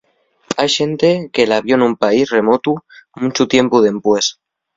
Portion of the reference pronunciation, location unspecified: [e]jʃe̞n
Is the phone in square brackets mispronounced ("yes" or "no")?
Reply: yes